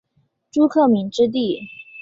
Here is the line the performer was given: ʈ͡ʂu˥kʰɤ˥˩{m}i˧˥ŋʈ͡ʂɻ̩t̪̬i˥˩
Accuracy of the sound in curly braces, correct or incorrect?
correct